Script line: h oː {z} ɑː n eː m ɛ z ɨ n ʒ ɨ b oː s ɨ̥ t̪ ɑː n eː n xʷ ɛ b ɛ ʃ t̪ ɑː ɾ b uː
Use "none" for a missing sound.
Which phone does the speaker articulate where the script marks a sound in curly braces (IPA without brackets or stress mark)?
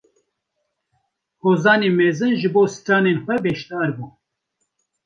z